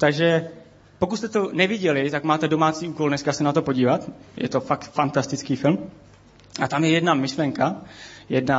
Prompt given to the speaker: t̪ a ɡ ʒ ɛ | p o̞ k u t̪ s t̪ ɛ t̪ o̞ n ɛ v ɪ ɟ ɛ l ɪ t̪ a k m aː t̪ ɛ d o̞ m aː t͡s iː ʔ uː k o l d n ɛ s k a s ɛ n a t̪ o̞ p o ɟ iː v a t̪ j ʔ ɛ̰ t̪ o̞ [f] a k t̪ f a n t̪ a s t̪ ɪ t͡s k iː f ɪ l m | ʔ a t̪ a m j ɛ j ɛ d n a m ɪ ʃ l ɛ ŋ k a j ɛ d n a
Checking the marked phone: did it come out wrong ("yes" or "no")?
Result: no